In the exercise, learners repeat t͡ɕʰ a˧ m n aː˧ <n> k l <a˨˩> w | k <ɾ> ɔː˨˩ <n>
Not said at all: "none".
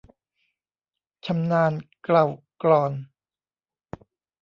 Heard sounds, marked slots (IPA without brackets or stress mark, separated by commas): n, a˨˩, l, n